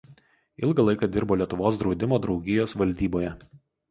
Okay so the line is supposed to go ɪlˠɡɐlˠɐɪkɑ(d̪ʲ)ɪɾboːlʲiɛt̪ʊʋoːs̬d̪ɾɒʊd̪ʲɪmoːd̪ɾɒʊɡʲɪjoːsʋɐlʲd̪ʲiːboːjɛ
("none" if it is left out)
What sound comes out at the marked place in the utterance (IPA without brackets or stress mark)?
d̪ʲ